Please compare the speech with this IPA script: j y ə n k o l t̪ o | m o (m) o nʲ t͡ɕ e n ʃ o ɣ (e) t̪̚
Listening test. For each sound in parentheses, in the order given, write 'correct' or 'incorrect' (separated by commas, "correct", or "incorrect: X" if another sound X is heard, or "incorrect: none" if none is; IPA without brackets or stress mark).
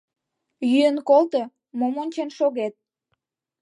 correct, correct